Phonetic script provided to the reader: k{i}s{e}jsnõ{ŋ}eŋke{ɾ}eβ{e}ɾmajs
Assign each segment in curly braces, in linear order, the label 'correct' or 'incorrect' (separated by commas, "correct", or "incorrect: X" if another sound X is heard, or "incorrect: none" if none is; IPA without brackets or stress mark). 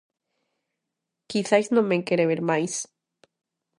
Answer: correct, incorrect: a, incorrect: m, correct, correct